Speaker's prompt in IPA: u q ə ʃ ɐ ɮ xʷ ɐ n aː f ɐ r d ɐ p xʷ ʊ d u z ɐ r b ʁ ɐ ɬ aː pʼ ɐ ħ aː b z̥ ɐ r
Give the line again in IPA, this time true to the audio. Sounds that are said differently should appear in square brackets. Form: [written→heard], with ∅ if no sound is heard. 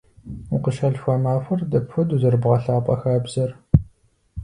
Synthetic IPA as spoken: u q ə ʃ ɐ ɮ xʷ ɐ [n→m] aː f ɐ r d ɐ p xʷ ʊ d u z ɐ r b ʁ ɐ ɬ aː pʼ ɐ [ħ→x] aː b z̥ ɐ r

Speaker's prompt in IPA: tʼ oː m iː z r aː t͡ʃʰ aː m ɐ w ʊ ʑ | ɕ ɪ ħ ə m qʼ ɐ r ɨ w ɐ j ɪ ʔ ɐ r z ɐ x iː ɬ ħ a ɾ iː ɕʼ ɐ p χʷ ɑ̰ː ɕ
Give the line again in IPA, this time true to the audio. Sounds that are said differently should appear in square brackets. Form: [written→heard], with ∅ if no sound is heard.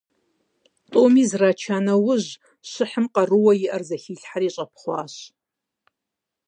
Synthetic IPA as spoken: tʼ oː m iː z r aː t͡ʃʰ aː [m→n] ɐ w ʊ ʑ | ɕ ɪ ħ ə m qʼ ɐ r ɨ w ɐ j ɪ ʔ ɐ r z ɐ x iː ɬ ħ a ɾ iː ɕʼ ɐ p χʷ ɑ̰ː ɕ

